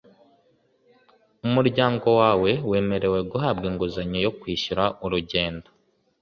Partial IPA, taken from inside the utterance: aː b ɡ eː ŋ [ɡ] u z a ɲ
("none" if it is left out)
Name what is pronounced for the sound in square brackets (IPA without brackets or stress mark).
ɡ